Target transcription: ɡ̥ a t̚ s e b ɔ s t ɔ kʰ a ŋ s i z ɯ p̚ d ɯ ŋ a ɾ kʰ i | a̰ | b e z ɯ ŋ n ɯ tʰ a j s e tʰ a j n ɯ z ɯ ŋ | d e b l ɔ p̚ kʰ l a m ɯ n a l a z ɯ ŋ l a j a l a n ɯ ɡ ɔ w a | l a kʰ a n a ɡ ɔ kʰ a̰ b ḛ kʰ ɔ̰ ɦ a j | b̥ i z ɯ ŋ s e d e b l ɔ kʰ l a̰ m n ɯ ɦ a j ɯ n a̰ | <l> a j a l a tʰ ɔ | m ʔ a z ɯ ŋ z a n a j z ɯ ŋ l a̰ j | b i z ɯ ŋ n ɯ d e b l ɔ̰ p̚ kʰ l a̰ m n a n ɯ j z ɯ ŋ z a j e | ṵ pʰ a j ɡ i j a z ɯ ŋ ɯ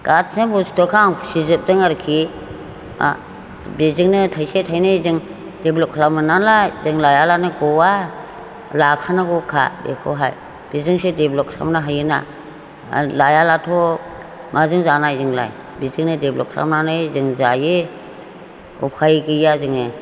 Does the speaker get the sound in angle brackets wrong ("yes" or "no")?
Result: no